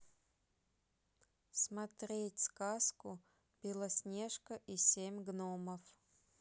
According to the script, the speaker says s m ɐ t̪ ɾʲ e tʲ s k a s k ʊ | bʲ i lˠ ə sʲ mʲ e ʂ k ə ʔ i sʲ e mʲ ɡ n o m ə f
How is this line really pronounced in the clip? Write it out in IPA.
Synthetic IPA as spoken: s m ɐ t̪ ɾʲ e tʲ s k a s k ʊ | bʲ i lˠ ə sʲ nʲ e ʂ k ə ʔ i sʲ e mʲ ɡ n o m ə f